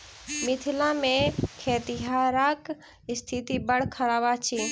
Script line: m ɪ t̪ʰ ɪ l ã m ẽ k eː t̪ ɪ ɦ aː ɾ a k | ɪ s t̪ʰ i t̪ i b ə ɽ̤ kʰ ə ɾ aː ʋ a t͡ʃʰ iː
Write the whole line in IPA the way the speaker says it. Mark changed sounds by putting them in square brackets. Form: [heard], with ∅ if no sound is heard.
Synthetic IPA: m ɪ t̪ʰ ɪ l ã m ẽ [kʰ] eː t̪ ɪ ɦ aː ɾ a k | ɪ s t̪ʰ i t̪ i b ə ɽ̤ kʰ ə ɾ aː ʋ a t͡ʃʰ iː